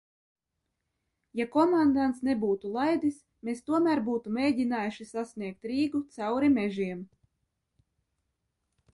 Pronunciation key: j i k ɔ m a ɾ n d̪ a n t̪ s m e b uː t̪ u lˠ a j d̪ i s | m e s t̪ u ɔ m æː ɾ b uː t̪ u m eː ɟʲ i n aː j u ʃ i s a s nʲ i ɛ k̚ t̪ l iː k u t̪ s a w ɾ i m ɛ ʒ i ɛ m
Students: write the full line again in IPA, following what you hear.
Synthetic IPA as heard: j a k ɔ m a n d̪ a n t̪ s n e b uː t̪ u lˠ a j d̪ i s | m e s t̪ u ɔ m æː ɾ b uː t̪ u m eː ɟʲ i n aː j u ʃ i s a s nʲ i ɛ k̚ t̪ ɾ iː ɡ u t̪ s a w ɾ i m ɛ ʒ i ɛ m